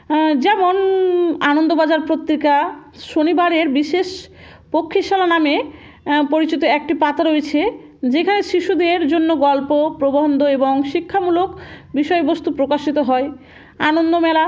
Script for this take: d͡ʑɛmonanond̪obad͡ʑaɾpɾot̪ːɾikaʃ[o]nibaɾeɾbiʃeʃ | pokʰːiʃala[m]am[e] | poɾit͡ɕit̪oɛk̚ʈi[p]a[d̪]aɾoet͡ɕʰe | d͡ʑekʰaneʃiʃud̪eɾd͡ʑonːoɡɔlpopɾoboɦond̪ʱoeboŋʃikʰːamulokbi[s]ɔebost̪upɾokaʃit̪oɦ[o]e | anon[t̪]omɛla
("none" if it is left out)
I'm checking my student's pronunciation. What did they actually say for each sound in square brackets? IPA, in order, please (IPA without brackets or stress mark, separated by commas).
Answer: o, n, e, p, t̪, ʃ, ɔ, d̪